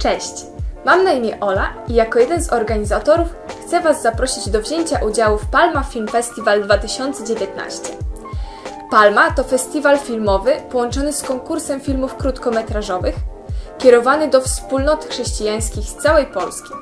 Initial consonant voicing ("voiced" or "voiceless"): voiceless